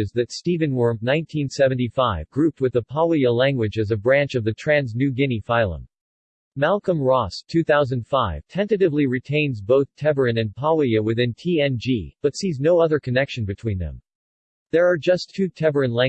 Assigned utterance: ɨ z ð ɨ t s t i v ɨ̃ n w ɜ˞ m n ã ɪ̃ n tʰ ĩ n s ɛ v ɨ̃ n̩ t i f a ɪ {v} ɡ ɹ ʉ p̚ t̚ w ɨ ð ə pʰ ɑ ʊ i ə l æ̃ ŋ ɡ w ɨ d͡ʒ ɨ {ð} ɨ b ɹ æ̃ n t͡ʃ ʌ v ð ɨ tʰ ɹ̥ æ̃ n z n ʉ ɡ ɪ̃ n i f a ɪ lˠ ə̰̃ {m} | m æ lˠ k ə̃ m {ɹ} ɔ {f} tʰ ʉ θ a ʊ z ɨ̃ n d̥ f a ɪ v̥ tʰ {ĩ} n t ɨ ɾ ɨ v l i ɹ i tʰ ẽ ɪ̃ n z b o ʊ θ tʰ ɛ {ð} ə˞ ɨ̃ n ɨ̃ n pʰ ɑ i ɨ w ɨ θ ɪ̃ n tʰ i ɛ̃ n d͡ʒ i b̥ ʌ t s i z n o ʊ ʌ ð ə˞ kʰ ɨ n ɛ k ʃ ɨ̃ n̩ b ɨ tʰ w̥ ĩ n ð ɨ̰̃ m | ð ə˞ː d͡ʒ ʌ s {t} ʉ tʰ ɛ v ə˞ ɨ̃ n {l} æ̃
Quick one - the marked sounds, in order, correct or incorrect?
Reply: correct, incorrect, correct, correct, incorrect, incorrect, incorrect, incorrect, correct

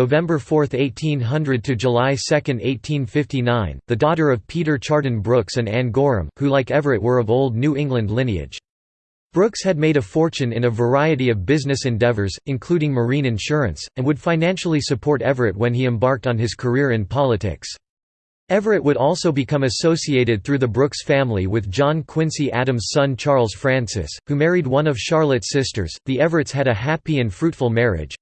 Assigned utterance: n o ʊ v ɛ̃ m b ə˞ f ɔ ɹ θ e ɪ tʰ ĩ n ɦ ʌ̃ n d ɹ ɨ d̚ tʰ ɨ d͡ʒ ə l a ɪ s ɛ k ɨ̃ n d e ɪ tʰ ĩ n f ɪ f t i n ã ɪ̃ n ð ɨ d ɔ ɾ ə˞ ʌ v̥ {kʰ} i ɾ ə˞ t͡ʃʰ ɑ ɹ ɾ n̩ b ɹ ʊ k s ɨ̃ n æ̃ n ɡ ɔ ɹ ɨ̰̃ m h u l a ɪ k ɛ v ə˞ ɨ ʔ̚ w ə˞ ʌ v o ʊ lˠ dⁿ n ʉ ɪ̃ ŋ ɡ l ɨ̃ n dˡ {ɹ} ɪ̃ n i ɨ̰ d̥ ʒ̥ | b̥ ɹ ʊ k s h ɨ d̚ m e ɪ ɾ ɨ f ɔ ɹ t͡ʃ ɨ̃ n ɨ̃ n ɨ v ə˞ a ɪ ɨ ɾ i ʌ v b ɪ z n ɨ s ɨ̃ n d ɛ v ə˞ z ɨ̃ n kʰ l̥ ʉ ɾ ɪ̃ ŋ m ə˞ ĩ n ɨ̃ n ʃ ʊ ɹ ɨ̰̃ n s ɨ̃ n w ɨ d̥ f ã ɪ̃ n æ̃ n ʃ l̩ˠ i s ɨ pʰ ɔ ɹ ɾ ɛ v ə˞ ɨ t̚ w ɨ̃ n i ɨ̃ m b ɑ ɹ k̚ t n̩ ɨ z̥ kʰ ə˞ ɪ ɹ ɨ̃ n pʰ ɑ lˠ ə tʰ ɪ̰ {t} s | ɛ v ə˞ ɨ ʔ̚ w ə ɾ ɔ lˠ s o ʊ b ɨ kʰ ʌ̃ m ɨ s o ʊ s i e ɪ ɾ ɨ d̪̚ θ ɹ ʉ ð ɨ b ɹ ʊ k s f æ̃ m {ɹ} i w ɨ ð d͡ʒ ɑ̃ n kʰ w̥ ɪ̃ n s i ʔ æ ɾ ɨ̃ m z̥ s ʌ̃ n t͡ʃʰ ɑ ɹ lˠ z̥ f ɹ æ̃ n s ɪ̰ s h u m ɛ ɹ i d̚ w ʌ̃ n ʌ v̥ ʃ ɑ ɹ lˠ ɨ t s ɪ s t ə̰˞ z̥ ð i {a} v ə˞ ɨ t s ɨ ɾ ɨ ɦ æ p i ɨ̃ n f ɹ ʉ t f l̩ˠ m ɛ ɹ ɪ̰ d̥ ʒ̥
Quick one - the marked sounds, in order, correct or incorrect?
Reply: incorrect, incorrect, incorrect, incorrect, incorrect

